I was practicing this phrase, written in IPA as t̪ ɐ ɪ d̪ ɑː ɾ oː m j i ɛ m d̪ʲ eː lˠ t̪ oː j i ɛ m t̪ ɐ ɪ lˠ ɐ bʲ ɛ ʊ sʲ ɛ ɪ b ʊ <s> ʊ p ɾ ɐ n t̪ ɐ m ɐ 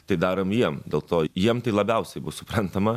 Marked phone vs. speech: correct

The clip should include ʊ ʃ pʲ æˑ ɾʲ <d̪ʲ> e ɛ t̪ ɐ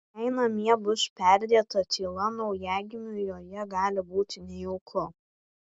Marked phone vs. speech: correct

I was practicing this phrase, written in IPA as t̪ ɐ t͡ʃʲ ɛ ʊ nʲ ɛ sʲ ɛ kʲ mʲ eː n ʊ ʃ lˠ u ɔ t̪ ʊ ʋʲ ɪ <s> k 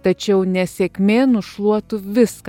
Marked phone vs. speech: correct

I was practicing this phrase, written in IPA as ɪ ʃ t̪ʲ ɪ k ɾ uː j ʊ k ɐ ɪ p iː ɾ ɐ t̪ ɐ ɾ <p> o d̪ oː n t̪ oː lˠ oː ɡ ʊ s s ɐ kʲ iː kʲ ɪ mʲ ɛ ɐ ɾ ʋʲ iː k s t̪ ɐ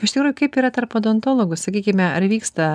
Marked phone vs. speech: correct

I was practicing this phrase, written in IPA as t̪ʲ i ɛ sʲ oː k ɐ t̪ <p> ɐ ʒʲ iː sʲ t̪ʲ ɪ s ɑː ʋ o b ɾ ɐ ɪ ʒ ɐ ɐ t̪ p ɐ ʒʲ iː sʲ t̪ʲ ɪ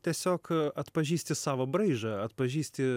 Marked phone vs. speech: correct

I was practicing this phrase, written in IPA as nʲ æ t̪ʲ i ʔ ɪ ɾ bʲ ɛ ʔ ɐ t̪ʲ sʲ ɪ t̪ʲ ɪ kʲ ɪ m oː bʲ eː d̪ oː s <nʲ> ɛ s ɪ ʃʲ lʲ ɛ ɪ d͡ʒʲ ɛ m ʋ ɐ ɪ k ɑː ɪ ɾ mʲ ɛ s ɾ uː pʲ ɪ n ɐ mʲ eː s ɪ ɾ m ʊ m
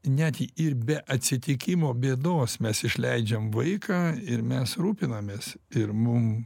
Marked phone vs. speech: incorrect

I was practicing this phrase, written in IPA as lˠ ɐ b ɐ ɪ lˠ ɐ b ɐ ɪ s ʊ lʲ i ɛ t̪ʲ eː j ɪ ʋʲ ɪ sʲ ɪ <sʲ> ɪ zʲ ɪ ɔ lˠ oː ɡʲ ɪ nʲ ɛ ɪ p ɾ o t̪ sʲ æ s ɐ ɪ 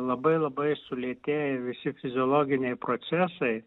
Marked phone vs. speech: incorrect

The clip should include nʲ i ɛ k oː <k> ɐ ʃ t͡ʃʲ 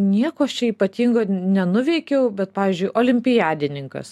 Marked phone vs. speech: incorrect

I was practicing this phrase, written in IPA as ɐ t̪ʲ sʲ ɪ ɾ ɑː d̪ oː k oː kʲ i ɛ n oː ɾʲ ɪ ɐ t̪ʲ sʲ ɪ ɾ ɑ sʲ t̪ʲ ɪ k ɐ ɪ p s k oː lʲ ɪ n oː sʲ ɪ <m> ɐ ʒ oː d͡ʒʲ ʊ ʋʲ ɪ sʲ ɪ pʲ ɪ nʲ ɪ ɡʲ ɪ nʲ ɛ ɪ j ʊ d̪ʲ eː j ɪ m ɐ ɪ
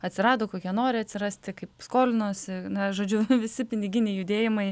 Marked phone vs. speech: incorrect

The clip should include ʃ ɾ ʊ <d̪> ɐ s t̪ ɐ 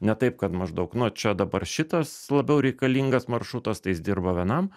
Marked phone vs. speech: incorrect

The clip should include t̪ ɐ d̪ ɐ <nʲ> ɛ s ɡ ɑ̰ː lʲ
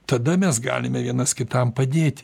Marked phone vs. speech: incorrect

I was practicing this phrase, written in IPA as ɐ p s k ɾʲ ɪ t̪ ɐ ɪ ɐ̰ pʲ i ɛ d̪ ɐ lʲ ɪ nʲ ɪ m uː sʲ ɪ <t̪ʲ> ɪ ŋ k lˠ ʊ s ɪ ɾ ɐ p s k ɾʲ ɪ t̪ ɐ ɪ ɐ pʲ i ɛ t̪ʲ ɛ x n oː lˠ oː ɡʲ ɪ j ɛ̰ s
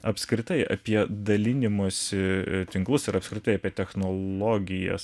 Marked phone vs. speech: correct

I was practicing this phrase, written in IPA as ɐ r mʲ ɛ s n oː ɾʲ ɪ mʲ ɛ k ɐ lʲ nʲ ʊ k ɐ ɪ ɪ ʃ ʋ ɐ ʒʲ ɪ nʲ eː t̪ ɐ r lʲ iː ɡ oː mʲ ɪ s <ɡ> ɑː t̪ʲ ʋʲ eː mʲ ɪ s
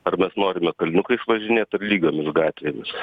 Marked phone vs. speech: correct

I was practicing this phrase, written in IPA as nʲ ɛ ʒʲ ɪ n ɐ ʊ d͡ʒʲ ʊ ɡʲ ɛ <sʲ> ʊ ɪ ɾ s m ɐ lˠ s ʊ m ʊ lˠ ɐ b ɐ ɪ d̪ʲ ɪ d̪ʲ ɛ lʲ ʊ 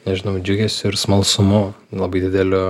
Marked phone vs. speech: correct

